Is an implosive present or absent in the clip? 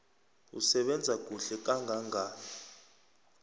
present